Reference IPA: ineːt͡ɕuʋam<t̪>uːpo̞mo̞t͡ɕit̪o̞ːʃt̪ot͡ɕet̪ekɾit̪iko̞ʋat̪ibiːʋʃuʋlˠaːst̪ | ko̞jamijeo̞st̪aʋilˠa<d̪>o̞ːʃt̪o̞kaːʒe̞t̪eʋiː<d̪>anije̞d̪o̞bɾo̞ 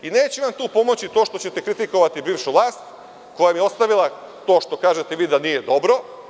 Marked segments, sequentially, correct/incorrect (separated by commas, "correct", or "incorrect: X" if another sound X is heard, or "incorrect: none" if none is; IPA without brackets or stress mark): correct, incorrect: t̪, correct